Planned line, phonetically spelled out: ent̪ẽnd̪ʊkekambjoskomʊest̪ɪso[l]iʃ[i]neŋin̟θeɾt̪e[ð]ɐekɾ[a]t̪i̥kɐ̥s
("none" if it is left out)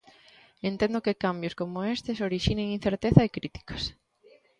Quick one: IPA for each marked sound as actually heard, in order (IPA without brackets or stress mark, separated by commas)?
ɾ, i, θ, i